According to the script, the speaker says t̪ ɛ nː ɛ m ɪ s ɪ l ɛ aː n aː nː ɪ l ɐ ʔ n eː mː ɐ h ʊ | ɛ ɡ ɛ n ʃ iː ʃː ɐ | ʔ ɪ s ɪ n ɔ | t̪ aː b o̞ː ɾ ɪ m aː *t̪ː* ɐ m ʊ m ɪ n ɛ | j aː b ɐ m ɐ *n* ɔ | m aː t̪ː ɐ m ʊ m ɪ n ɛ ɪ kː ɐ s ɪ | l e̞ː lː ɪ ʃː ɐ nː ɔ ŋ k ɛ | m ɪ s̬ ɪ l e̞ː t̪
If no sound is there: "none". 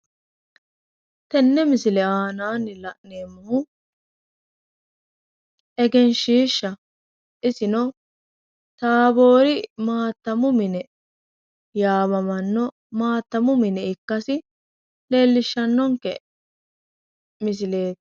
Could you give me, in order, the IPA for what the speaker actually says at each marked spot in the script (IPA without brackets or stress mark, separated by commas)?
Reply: t̪ː, nː